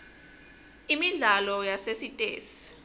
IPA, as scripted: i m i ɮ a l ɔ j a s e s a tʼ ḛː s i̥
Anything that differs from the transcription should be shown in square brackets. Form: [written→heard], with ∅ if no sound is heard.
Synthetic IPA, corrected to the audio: i m i ɮ a l ɔ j a s e s [a→i] tʼ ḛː s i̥